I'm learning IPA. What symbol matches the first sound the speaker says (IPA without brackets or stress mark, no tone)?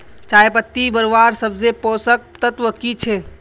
t͡ʃ